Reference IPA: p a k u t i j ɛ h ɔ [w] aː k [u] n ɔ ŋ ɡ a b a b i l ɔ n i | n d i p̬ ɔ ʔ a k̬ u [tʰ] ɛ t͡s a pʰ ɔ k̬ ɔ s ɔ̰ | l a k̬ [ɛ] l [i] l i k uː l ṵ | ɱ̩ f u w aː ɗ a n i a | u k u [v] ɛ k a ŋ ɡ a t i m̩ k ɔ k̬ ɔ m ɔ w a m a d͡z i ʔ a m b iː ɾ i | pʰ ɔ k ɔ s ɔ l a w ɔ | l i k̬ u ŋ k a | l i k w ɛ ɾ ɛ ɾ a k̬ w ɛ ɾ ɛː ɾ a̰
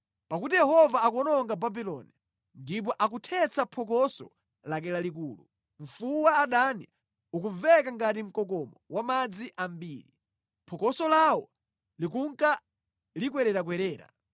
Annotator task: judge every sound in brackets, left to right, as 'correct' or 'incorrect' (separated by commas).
incorrect, incorrect, correct, correct, incorrect, correct